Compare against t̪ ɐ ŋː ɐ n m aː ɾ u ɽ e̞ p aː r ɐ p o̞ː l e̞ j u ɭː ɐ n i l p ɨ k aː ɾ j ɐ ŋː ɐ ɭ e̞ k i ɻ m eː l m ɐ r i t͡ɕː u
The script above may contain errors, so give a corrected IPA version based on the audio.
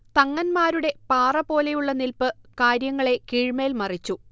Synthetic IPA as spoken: t̪ ɐ ŋː ɐ n m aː ɾ u ɽ e̞ p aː r ɐ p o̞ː l e̞ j u ɭː ɐ n i l p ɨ k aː ɾ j ɐ ŋː ɐ ɭ e̞ k iː ɻ m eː l m ɐ r i t͡ɕː u